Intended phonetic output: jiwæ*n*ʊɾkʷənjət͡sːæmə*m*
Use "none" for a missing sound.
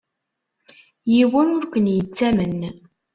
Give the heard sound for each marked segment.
n, n

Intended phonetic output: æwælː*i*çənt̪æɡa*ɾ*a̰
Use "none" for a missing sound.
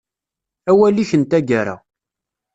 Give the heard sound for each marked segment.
i, ɾ

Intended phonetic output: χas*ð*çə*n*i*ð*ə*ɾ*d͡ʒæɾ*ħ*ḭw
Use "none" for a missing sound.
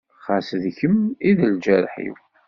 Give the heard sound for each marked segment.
ð, m, ð, l, ħ

